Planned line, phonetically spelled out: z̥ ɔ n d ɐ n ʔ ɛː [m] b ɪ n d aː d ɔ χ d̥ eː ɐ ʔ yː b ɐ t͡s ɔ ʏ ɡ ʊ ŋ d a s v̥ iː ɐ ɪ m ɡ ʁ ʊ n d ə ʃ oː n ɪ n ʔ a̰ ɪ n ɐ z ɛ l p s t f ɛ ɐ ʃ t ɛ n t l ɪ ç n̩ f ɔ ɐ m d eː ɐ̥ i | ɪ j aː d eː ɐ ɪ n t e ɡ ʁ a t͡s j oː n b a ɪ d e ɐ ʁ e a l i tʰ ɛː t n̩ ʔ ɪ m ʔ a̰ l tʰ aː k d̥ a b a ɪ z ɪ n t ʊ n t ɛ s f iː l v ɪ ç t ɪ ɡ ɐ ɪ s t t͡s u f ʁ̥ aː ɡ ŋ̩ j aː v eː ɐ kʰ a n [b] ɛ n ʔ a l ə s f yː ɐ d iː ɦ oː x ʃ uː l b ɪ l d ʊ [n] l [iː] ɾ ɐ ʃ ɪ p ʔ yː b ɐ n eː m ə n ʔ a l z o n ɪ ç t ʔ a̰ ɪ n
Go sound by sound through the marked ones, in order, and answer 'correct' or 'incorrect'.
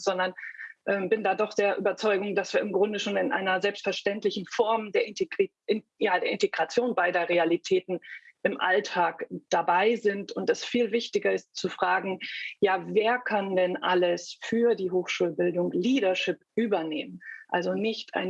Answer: correct, incorrect, incorrect, correct

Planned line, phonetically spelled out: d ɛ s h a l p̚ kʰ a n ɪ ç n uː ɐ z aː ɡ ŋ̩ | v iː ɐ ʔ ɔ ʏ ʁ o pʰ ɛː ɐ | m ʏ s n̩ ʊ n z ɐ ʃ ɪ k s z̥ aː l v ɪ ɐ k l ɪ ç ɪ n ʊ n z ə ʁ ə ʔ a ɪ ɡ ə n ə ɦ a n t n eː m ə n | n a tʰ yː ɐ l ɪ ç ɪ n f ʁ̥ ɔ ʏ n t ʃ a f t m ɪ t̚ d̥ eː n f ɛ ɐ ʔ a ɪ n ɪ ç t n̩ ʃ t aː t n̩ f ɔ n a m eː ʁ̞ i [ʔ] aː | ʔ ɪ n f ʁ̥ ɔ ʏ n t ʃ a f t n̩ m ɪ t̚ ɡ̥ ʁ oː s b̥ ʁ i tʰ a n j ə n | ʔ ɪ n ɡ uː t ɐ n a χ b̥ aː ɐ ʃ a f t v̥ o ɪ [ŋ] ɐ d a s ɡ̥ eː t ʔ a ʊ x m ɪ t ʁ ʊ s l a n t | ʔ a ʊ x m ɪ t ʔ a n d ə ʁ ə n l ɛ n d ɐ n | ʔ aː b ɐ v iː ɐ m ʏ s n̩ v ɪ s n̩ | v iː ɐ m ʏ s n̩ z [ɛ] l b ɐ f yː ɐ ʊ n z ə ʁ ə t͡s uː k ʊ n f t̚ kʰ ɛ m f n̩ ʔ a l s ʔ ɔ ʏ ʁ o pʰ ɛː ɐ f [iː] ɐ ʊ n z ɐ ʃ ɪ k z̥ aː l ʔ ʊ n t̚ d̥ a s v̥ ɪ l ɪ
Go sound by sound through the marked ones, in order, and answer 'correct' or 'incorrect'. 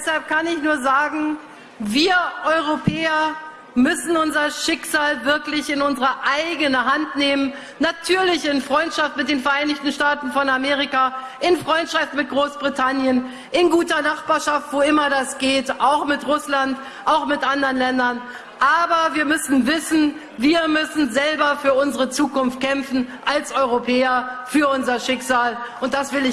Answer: incorrect, incorrect, correct, incorrect

